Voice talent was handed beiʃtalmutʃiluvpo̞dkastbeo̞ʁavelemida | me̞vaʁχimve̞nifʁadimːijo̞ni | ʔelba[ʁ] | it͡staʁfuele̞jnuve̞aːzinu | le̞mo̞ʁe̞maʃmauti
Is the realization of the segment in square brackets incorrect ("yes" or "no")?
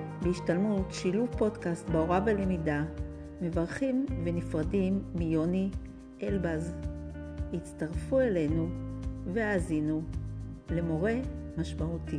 yes